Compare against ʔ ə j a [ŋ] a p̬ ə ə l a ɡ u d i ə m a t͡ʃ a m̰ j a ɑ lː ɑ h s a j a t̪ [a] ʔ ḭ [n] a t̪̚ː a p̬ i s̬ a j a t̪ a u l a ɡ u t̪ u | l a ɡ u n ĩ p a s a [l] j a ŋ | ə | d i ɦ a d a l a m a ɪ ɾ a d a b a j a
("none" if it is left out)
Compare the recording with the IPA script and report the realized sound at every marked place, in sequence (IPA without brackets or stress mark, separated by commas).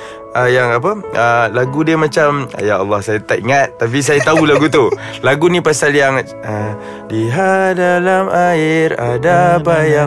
ŋ, a, ŋ, l